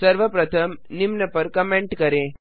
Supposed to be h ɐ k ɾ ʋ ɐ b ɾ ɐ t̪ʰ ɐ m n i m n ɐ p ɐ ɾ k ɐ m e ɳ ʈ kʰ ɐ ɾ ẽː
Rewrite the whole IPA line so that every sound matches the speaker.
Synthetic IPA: s ɐ ɾ ʋ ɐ p ɾ ɐ t̪ʰ ɐ m n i m n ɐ p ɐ ɾ k ɐ m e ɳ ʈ k ɐ ɾ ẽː